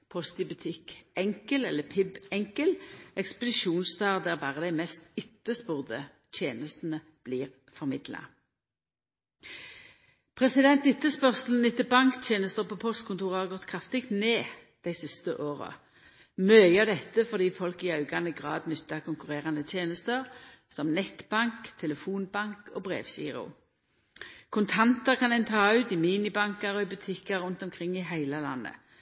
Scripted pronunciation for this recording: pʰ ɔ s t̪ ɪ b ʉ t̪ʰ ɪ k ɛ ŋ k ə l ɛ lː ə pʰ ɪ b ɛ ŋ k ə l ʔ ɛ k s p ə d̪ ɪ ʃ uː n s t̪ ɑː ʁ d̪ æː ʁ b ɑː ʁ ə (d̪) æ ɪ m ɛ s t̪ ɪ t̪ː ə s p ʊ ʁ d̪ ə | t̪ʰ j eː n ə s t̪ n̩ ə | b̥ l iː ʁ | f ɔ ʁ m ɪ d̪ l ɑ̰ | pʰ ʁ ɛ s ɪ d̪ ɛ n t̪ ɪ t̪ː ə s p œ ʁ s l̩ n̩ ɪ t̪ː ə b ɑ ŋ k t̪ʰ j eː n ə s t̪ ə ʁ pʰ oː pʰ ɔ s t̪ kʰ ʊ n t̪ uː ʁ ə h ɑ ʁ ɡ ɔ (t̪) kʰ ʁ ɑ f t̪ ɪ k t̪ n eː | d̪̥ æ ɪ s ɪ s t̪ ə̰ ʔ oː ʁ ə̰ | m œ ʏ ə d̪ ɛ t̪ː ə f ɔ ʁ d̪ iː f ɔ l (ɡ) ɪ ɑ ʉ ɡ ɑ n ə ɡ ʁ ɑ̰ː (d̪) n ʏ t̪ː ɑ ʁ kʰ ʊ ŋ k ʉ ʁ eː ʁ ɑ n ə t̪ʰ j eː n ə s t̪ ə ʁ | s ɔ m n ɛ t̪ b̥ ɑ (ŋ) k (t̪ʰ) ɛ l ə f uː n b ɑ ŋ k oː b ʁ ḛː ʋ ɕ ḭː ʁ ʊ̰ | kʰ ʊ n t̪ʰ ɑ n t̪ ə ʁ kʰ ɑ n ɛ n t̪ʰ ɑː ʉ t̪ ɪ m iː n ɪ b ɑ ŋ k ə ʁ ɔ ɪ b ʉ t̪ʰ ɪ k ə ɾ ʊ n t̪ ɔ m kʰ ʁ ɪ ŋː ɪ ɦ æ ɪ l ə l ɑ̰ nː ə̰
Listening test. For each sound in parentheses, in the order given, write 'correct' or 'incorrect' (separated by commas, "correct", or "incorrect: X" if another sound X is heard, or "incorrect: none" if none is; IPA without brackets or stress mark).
correct, correct, incorrect: k, correct, correct, correct